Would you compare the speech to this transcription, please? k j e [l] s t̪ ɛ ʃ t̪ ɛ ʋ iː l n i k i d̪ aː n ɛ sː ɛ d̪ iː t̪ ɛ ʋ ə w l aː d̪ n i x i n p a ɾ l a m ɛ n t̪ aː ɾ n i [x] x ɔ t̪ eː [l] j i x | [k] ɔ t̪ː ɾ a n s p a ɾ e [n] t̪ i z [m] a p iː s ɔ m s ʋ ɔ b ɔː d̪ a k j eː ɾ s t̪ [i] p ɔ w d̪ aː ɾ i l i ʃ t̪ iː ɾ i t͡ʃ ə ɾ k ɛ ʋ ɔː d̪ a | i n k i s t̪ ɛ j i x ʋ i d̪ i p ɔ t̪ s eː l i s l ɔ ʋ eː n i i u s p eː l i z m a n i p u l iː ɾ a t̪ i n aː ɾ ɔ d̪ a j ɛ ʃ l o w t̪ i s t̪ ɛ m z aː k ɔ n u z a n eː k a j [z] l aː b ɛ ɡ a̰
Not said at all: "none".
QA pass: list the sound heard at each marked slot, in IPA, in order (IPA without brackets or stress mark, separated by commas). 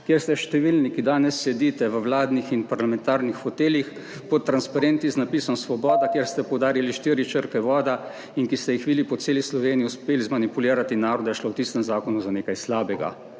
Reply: ɾ, x, l, p, n, n, ɛ, s